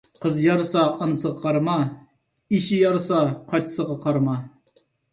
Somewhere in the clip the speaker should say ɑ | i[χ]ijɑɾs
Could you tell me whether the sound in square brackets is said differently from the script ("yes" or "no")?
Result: yes